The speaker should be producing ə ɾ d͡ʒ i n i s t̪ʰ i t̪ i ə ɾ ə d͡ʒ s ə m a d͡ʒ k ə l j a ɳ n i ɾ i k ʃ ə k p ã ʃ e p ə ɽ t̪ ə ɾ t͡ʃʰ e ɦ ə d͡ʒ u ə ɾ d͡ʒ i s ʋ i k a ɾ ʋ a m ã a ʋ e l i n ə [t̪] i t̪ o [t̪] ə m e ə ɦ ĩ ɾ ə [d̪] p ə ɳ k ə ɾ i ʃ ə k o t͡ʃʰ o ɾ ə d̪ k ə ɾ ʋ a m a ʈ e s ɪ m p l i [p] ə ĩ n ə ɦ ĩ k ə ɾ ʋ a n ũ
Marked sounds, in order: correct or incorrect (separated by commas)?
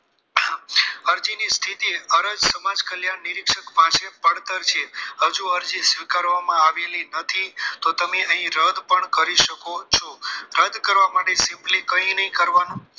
incorrect, correct, correct, incorrect